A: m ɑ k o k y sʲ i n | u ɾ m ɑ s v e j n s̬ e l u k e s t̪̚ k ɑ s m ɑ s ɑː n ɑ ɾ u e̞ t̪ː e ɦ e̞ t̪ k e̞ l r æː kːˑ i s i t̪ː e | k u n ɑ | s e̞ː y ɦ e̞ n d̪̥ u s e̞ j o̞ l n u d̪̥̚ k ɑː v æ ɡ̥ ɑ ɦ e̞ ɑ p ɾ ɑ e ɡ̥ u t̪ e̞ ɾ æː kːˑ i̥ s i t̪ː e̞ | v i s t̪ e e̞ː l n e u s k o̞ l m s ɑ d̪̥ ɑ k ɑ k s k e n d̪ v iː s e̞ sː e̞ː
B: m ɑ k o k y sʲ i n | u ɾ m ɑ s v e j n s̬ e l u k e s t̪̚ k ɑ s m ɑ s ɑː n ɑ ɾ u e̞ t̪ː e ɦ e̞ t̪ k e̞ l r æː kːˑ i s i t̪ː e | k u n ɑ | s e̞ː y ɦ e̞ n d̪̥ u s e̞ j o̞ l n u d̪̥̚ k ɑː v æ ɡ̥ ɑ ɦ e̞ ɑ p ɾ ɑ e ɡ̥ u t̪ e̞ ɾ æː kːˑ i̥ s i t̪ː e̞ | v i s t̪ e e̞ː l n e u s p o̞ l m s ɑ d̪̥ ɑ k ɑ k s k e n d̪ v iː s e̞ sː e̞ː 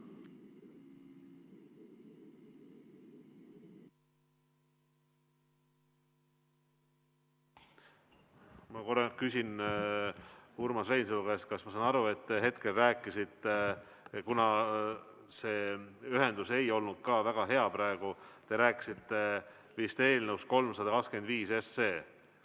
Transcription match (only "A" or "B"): A